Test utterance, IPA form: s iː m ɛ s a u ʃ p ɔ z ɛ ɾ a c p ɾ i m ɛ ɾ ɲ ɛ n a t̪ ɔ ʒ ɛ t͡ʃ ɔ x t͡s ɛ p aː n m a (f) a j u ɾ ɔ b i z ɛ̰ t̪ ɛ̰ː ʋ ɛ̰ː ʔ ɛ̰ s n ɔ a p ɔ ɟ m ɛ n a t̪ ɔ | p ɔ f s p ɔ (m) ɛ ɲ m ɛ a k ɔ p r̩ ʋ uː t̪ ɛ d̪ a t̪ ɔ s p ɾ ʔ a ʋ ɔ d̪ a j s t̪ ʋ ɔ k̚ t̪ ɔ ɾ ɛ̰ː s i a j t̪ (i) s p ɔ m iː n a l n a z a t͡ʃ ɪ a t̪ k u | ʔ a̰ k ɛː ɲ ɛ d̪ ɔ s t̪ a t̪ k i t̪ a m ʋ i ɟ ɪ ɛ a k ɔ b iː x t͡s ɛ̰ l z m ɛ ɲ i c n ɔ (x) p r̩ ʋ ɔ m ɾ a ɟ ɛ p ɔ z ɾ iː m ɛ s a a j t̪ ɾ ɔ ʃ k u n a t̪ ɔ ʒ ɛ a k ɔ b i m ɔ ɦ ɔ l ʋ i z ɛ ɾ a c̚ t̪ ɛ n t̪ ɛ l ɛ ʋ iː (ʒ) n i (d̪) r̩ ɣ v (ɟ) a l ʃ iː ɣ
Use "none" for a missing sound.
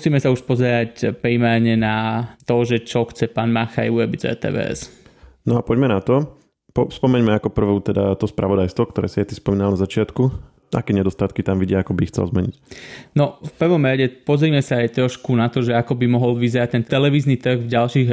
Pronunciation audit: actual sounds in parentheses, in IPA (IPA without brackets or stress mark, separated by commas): x, m, i, f, z, t̪, ɟ